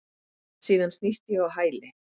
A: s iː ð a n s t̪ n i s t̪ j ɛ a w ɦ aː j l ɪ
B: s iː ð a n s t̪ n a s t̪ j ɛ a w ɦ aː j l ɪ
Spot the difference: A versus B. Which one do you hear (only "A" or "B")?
A